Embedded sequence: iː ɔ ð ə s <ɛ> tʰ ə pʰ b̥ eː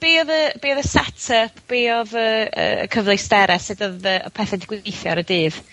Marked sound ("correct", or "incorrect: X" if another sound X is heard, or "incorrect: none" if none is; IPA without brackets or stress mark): correct